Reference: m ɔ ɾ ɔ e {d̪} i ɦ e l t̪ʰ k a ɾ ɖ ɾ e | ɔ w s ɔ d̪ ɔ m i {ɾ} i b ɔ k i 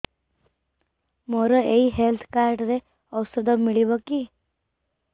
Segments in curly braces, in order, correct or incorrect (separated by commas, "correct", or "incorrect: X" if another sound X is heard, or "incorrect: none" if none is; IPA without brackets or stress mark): incorrect: none, incorrect: ɭ